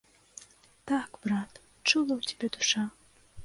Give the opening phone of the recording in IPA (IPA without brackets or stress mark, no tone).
t̪